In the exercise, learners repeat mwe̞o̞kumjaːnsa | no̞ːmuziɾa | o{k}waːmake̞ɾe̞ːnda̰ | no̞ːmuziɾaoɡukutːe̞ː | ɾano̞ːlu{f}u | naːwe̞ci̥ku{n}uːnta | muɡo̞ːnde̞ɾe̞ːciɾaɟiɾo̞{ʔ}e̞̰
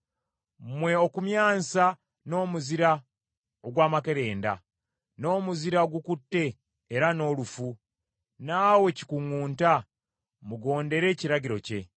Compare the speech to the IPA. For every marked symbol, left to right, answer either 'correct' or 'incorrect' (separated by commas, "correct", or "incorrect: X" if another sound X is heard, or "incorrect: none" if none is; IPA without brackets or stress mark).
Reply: incorrect: ɡ, correct, incorrect: ŋ, incorrect: c